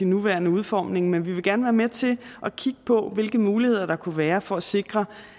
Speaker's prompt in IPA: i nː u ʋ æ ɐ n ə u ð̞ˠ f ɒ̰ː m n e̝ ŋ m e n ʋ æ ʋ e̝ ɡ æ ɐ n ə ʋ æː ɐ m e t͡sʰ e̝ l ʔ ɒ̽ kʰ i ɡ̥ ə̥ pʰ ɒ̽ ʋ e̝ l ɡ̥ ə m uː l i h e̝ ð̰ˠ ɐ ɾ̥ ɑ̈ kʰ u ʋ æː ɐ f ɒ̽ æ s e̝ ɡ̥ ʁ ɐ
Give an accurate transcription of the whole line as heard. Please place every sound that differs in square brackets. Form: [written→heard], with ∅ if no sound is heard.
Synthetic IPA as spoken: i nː u ʋ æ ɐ n ə u ð̞ˠ f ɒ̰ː m n e̝ ŋ m e n ʋ [æ→i] ʋ e̝ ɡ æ ɐ n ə ʋ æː ɐ m e t͡sʰ e̝ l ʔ ɒ̽ kʰ i ɡ̥ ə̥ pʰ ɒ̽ ʋ e̝ l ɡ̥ ə m uː l i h e̝ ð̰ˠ ɐ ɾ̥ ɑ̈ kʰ u ʋ æː ɐ f ɒ̽ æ s e̝ ɡ̥ ʁ ɐ